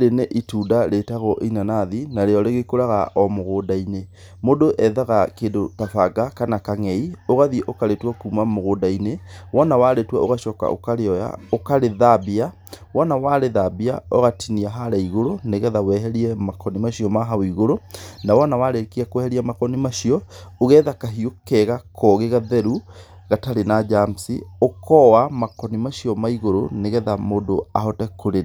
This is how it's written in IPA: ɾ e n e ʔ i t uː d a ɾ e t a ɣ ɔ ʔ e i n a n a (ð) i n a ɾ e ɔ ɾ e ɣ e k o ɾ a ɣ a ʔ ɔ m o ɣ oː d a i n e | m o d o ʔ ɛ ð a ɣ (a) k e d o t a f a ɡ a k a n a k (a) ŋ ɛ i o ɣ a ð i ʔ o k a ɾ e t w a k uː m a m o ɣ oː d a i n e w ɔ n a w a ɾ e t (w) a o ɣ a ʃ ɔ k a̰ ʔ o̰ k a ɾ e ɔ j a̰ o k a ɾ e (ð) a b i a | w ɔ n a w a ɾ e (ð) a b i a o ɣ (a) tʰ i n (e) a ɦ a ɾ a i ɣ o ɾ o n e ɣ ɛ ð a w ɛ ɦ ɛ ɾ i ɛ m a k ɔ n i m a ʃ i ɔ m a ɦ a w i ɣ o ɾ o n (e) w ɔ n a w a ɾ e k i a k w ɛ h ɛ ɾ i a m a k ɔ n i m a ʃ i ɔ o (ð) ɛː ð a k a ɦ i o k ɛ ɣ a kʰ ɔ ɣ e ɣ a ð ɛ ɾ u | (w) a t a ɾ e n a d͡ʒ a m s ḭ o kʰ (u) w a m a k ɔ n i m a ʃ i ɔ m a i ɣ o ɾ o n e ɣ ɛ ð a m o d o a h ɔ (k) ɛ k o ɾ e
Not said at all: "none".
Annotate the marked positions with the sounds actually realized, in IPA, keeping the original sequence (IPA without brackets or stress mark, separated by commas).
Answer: ð, a, a, w, ð, ð, a, i, a, ɣ, ɣ, ɔ, t